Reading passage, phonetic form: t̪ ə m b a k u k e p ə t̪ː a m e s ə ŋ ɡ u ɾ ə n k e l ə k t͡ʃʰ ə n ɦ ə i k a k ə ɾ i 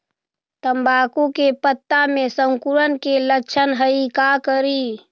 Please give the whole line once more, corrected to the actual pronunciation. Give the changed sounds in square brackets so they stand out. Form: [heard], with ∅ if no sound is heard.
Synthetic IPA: t̪ ə m b a k u k e p ə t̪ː a m e s ə ŋ [k] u ɾ ə n k e l ə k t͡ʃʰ ə n ɦ ə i k a k ə ɾ i